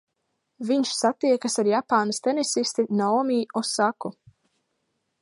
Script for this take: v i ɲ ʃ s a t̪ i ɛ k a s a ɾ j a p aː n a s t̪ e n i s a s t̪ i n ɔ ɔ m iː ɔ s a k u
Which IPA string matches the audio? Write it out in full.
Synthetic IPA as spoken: v i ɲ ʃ s a t̪ i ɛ k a s a ɾ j a p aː n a s t̪ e n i s i s t̪ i n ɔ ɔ m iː ɔ s a k u

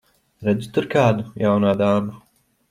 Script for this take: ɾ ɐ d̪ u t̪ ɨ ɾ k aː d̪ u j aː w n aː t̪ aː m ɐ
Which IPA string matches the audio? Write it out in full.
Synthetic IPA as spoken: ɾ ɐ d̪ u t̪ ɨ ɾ k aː d̪ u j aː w n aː d̪ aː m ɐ

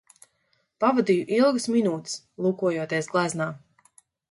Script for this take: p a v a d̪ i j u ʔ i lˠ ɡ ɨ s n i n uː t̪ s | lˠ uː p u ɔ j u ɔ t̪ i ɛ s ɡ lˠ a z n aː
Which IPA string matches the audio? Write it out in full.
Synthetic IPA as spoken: p a v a d̪ i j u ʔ i lˠ ɡ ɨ s m i n uː t̪ s | lˠ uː k u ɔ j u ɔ t̪ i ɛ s ɡ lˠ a z n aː

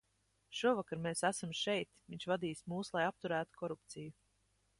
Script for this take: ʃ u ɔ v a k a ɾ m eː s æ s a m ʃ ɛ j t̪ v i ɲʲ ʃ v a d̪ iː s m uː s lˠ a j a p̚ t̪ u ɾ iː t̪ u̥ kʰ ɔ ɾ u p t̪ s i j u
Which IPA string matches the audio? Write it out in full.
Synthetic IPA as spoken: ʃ u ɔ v a k a ɾ m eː s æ s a m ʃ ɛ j t̪ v i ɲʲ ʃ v a d̪ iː s m uː s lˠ a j a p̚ t̪ u ɾ æː t̪ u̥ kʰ ɔ ɾ u p t̪ s i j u

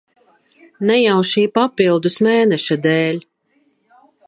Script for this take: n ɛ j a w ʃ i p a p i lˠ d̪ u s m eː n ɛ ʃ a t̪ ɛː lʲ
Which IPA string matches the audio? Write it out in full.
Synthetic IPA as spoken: n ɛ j a w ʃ iː p a p i lˠ d̪ u s m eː n ɛ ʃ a d̪ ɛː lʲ

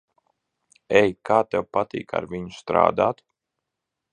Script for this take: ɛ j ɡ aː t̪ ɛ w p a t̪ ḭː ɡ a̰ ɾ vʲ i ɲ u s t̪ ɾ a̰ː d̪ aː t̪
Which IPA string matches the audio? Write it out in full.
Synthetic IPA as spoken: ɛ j k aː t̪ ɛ w p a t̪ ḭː k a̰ ɾ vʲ i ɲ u s t̪ ɾ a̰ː d̪ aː t̪

